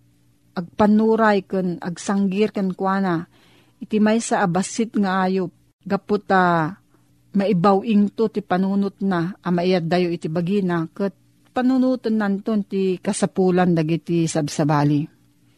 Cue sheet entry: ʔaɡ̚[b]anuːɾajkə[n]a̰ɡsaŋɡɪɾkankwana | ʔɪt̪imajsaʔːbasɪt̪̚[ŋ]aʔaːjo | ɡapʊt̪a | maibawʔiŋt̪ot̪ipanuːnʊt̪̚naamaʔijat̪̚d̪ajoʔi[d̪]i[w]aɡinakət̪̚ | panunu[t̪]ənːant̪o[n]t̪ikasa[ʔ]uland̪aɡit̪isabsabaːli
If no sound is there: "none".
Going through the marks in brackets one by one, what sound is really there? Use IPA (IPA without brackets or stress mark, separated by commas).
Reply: p, n, ŋ, t̪, b, t̪, n, p